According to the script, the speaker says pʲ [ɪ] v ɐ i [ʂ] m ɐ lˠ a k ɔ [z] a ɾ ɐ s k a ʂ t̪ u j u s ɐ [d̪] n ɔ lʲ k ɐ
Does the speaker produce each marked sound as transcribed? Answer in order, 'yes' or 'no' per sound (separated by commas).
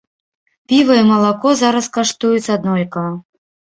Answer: no, no, yes, yes